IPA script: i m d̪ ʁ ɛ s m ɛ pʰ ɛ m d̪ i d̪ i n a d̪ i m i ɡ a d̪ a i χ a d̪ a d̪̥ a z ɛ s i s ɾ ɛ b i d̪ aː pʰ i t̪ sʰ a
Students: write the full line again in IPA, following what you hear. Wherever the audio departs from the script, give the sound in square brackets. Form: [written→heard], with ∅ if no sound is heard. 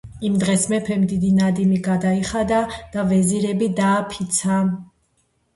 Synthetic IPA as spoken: i m d̪ ʁ ɛ s m ɛ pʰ ɛ m d̪ i d̪ i n a d̪ i m i ɡ a d̪ a i χ a d̪ a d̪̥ a [z→v] ɛ [s→z] i [s→∅] ɾ ɛ b i d̪ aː pʰ i t̪ sʰ a

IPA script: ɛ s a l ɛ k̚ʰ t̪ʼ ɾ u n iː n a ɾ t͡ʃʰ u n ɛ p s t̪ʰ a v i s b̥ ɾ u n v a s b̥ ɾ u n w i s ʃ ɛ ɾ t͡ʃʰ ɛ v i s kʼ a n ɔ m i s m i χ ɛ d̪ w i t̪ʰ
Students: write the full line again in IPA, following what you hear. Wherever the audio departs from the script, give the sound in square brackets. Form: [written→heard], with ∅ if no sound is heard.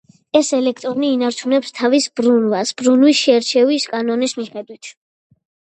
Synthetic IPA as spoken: ɛ s [a→ɛ] l ɛ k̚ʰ t̪ʼ ɾ [u→ɔ] n iː n a ɾ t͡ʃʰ u n ɛ p s t̪ʰ a v i s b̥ ɾ u n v a s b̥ ɾ u n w i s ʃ ɛ ɾ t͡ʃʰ ɛ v i s kʼ a n ɔ [m→n] i s m i χ ɛ d̪ w i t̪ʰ

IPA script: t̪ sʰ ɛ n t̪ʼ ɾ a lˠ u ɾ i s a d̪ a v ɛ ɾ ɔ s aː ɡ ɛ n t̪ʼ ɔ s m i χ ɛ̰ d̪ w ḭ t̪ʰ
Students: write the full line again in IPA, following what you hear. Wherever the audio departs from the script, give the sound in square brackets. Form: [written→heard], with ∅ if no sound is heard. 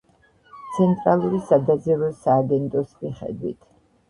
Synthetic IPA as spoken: t̪ sʰ ɛ n t̪ʼ ɾ a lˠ u ɾ i s a d̪ a [v→z] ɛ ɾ ɔ s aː ɡ ɛ n t̪ʼ ɔ s m i χ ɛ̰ d̪ w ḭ t̪ʰ

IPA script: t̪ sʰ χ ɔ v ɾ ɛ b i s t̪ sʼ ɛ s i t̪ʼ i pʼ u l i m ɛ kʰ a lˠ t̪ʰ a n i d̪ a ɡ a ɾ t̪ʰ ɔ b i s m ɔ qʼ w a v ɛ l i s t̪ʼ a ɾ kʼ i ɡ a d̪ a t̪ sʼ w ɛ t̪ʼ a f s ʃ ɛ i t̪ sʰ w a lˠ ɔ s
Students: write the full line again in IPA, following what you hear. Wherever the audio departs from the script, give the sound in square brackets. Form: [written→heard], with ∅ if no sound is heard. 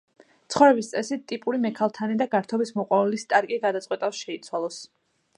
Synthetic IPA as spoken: t̪ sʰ χ ɔ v ɾ ɛ b i s t̪ sʼ ɛ s i t̪ʼ i pʼ u [l→ɾ] i m ɛ kʰ a lˠ t̪ʰ a n i d̪ a ɡ a ɾ t̪ʰ ɔ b i s m ɔ qʼ w a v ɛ l i s t̪ʼ a ɾ kʼ i ɡ a d̪ a t̪ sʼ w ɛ t̪ʼ a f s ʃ ɛ i t̪ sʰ w a lˠ ɔ s

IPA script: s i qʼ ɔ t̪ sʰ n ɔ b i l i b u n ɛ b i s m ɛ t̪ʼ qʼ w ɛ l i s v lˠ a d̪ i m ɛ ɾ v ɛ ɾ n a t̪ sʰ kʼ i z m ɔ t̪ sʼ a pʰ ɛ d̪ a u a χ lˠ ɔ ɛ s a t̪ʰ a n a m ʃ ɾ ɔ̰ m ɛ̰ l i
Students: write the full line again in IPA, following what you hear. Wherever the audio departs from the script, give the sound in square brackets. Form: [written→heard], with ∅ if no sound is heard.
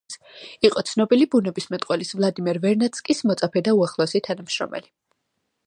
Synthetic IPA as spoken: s i qʼ ɔ t̪ sʰ n ɔ b i l i b u n ɛ b i s m ɛ t̪ʼ qʼ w ɛ l i s v lˠ a d̪ i m ɛ ɾ v ɛ ɾ n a t̪ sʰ kʼ i [z→s] m ɔ t̪ sʼ a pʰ ɛ d̪ a u a χ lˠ ɔ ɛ s [a→i] t̪ʰ a n a m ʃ ɾ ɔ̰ m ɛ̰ l i

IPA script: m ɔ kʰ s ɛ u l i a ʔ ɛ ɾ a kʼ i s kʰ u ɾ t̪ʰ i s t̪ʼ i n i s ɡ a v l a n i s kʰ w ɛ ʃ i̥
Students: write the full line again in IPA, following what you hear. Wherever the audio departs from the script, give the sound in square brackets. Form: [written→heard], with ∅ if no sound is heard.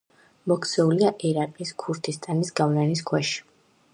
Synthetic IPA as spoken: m ɔ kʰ s ɛ u l i a ʔ ɛ ɾ a [kʼ→qʼ] i s kʰ u ɾ t̪ʰ i s t̪ʼ [i→a] n i s ɡ a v l a n i s kʰ w ɛ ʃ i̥

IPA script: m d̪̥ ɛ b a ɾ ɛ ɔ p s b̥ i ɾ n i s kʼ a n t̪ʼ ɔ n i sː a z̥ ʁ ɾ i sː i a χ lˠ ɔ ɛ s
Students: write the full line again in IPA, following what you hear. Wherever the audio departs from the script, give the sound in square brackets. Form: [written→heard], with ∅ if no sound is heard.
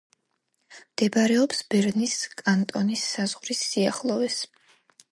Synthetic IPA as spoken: m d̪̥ ɛ b a ɾ ɛ ɔ p s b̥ [i→ɛ] ɾ n i s kʼ a n t̪ʼ ɔ n i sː a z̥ ʁ ɾ i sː i a χ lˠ ɔ ɛ s

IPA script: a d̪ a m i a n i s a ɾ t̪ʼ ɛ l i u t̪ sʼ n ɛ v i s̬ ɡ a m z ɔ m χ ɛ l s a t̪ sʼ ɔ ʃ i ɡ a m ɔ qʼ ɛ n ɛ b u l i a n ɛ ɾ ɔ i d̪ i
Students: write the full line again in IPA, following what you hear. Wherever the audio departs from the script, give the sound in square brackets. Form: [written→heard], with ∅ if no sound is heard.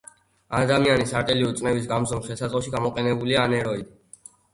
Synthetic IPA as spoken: a d̪ a m i a n i s a ɾ t̪ʼ ɛ l i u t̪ sʼ n ɛ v i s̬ ɡ a m z ɔ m χ ɛ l s a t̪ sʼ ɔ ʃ i ɡ a m ɔ qʼ ɛ n ɛ b u l i a n ɛ ɾ ɔ i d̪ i

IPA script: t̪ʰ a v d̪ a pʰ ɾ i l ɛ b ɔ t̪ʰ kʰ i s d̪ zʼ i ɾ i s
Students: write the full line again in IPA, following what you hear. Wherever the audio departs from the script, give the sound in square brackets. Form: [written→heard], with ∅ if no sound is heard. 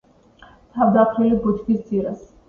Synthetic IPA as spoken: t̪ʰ a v d̪ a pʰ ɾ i l [ɛ→i] b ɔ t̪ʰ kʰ i s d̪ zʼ i ɾ [i→a] s

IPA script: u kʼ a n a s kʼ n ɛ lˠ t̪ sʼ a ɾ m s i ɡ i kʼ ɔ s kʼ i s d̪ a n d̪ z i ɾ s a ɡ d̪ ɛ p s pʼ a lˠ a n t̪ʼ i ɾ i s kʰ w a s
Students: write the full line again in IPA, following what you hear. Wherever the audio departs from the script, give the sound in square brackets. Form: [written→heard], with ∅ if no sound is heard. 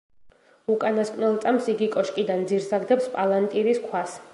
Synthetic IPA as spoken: u kʼ a n a s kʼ n ɛ lˠ t̪ sʼ a [ɾ→∅] m s i ɡ i kʼ ɔ [s→ʃ] kʼ i [s→∅] d̪ a n d̪ z i ɾ s a ɡ d̪ ɛ p s pʼ a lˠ a n t̪ʼ i ɾ i s kʰ w a s

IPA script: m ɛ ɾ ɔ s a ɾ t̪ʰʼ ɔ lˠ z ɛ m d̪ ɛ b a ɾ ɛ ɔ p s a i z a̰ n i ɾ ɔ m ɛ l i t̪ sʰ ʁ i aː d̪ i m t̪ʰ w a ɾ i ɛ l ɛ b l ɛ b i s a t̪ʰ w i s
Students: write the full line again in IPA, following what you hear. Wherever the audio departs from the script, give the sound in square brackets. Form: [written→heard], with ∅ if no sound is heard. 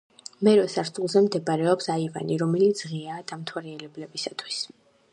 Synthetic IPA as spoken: m ɛ ɾ ɔ s a ɾ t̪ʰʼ [ɔ→u] lˠ z ɛ m d̪ ɛ b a ɾ ɛ ɔ p s a i [z→v] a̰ n i ɾ ɔ m ɛ l i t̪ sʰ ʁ i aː d̪ [i→a] m t̪ʰ w a ɾ i ɛ l ɛ b l ɛ b i s a t̪ʰ w i s

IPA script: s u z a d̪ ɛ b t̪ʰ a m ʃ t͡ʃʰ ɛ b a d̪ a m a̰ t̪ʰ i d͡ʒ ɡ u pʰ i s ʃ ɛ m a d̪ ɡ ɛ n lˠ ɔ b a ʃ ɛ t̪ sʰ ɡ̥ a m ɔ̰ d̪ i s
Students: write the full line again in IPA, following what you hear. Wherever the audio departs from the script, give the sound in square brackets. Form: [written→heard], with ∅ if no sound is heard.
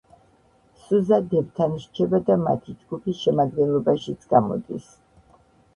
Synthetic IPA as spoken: s u z a d̪ ɛ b t̪ʰ a [m→n] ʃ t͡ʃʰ ɛ b a d̪ a m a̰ t̪ʰ i d͡ʒ ɡ u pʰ i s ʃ ɛ m a d̪ ɡ ɛ n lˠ ɔ b a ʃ [ɛ→i] t̪ sʰ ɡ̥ a m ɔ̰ d̪ i s

